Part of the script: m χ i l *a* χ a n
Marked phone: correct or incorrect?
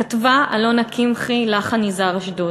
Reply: correct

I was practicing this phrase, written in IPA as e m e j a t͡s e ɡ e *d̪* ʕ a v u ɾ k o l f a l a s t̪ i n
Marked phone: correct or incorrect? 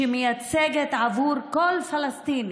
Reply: incorrect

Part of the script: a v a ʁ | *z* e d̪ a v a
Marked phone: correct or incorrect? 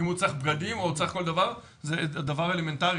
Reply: correct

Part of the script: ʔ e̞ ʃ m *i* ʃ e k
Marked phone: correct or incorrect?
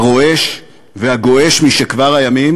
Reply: correct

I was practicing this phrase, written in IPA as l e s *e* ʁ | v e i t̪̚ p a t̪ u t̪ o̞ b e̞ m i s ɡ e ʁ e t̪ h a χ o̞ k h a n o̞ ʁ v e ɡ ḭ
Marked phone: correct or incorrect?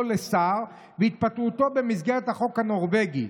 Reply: incorrect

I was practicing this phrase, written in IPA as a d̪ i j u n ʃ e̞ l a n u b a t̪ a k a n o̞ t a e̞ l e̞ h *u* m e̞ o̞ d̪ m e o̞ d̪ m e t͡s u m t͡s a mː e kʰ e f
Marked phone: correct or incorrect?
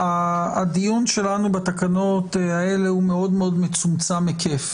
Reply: correct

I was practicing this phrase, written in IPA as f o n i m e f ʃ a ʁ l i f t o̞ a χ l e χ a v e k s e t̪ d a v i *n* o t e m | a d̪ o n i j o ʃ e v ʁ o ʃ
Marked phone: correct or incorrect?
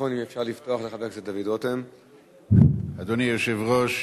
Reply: incorrect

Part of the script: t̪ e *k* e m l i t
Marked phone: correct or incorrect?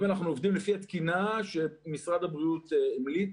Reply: incorrect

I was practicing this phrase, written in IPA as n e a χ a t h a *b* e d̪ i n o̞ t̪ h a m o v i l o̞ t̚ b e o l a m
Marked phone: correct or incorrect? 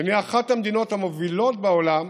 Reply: incorrect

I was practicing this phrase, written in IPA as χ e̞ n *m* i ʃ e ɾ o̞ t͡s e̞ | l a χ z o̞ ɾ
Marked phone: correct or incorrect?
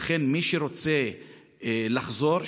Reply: correct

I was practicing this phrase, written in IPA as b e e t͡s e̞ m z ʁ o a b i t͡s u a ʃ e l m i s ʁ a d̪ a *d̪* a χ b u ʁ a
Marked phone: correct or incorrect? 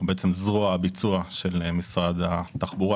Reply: incorrect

